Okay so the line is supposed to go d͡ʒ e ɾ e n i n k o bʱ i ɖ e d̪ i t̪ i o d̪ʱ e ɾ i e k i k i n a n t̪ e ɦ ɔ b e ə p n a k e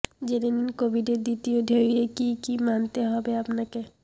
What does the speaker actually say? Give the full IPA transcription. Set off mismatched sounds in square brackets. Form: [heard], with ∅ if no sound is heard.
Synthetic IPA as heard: d͡ʒ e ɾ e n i n k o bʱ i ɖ e d̪ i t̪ i o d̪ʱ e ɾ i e k i k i [m] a n t̪ e ɦ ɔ b e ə p n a k e